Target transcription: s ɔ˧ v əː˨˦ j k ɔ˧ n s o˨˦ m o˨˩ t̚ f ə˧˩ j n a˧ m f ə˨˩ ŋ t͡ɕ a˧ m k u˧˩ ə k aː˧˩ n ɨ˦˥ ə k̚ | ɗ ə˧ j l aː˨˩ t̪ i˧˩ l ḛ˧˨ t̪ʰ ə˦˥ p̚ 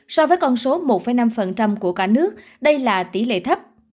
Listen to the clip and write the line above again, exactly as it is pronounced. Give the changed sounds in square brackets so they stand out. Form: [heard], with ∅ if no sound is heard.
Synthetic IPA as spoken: s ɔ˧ v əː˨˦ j k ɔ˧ n s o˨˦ m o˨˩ t̚ f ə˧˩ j n a˧ m f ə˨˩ [n] t͡ɕ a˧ m k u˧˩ ə k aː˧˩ n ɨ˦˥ ə k̚ | ɗ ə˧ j l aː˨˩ t̪ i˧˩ l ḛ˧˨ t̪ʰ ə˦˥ p̚